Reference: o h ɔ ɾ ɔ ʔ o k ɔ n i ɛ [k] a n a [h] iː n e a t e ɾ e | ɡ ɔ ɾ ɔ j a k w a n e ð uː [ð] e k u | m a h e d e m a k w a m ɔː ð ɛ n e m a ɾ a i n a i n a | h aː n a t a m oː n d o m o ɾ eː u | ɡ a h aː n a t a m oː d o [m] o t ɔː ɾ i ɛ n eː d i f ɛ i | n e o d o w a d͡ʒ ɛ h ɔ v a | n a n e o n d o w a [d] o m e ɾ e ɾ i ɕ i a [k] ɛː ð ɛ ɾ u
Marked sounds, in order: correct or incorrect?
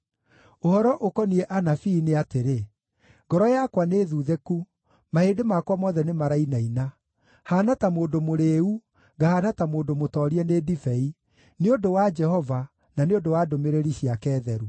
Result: incorrect: ʔ, incorrect: f, correct, correct, correct, correct

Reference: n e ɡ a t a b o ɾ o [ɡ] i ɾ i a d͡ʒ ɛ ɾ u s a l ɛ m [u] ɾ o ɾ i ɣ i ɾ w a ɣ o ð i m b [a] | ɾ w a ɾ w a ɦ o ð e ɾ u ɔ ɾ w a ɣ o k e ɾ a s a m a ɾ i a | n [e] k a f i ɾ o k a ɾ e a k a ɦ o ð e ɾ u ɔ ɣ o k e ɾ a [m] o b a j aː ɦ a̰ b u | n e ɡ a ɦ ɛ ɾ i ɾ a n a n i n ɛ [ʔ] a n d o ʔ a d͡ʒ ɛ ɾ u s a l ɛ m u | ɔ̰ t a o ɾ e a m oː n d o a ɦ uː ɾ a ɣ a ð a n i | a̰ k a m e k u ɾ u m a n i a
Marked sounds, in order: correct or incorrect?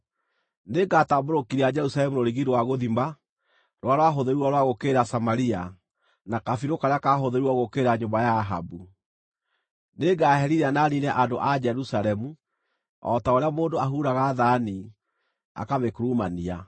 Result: incorrect: k, correct, correct, incorrect: a, incorrect: ɲ, correct

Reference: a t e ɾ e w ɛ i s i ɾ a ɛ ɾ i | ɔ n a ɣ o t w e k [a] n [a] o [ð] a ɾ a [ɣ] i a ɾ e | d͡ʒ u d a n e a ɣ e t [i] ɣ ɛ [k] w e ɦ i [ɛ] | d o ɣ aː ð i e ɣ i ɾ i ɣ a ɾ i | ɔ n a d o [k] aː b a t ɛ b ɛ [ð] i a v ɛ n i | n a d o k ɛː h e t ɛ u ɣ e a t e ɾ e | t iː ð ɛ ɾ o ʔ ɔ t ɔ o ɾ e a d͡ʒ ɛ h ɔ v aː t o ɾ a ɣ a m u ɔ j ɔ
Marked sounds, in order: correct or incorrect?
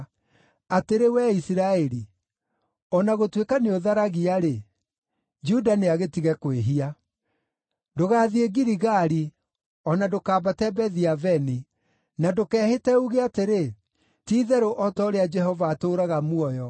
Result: correct, incorrect: e, correct, correct, correct, correct, incorrect: a, correct, correct

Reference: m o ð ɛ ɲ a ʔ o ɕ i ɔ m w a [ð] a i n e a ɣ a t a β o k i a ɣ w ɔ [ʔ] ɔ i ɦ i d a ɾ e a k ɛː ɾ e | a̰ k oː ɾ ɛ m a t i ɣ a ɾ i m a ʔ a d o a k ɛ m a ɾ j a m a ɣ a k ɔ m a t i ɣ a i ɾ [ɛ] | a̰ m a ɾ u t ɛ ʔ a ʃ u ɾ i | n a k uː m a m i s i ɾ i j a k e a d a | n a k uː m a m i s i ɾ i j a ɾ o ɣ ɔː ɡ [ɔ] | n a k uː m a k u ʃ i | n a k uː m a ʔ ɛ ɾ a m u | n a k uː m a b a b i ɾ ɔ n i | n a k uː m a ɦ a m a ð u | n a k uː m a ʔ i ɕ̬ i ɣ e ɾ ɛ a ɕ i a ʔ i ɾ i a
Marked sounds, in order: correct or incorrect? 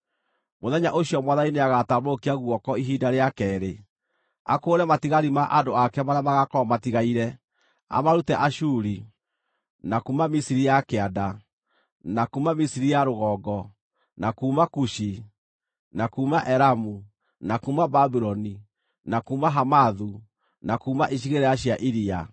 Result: correct, incorrect: k, correct, correct

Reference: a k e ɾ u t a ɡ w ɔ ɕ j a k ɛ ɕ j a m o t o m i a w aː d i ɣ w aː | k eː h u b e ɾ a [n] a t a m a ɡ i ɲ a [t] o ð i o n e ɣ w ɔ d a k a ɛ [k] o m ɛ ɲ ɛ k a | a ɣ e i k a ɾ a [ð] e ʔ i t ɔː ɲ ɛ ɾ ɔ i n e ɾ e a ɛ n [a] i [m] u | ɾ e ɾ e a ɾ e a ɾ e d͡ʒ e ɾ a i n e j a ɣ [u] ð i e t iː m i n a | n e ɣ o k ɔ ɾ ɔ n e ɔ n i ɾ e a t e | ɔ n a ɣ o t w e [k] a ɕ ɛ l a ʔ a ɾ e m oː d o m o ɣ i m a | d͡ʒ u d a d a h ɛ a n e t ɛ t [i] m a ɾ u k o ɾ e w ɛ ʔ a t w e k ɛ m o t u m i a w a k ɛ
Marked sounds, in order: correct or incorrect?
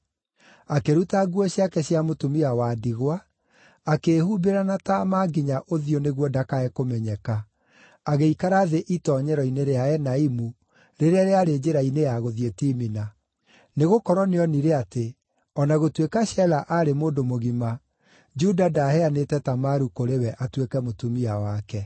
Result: correct, incorrect: ʔ, correct, correct, correct, correct, incorrect: o, correct, incorrect: a

